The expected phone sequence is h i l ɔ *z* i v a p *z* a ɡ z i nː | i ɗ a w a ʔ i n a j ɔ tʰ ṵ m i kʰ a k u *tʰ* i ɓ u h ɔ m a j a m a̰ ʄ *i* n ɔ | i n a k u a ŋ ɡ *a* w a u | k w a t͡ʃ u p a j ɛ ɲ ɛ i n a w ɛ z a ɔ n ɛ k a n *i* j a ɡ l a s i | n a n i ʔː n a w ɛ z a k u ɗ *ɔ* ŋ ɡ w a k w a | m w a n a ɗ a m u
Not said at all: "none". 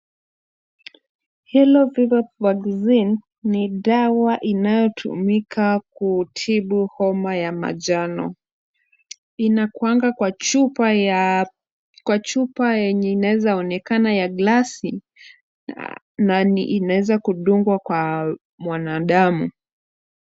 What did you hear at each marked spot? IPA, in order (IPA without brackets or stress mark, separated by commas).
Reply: v, v, tʰ, a, a, a, u